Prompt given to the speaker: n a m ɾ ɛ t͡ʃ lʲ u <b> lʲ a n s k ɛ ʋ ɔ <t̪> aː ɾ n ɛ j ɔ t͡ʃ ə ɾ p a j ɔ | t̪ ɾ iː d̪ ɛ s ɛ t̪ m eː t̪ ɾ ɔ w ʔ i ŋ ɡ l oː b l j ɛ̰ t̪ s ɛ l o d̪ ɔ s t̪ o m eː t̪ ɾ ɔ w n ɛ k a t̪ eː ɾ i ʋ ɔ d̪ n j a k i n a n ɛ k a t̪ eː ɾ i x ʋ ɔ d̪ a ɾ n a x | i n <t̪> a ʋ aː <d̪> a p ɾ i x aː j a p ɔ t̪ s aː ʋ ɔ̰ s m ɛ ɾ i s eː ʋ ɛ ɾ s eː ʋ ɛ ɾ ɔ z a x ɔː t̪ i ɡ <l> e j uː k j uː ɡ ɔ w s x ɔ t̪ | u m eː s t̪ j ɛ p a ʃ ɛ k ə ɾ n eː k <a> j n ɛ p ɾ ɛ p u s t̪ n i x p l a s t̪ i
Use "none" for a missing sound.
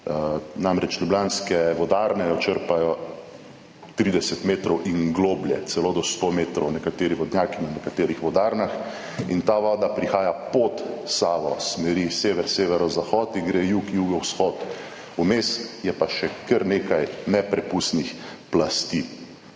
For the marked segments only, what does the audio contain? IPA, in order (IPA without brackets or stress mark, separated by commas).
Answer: b, d̪, t̪, d̪, ɾ, a